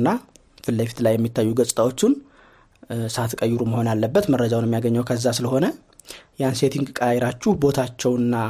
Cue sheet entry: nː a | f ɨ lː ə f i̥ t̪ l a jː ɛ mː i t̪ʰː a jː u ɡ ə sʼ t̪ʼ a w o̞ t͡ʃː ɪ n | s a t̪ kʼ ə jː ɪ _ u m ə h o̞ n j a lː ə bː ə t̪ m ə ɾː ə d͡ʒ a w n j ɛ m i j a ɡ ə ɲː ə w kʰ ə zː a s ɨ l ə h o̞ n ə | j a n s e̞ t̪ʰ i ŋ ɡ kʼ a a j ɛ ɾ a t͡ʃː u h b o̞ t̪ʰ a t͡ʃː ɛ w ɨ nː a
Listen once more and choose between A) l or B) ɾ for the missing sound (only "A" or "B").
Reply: B